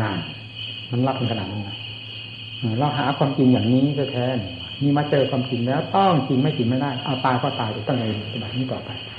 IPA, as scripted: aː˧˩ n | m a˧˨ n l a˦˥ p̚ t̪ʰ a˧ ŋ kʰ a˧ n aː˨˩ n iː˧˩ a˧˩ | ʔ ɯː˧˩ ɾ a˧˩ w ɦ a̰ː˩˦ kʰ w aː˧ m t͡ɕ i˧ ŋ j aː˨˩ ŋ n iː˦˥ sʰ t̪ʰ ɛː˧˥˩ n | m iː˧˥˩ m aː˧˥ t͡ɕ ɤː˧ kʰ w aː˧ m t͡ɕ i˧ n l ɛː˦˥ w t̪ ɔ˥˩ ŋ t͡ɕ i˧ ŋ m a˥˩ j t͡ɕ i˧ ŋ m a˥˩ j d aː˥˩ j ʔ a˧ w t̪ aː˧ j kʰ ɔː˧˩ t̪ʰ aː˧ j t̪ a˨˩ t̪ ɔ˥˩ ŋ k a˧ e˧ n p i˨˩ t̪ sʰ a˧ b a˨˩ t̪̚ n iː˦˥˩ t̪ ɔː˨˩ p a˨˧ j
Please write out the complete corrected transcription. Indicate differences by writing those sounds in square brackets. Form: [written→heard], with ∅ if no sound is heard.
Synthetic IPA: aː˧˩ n | m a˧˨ n l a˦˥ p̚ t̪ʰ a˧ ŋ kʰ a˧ n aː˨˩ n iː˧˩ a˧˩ | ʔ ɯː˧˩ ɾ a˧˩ w ɦ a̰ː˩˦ kʰ w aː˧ m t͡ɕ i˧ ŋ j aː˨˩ ŋ n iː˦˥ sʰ t̪ʰ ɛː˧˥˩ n | m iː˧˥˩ m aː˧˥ t͡ɕ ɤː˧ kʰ w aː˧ m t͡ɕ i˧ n l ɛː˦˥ w t̪ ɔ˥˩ ŋ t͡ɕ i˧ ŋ m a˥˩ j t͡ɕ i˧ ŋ m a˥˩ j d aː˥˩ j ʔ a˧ w t̪ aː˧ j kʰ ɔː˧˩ [t̪ʰ→t̪] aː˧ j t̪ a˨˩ t̪ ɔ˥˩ ŋ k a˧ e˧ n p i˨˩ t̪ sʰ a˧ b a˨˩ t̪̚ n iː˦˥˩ t̪ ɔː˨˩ p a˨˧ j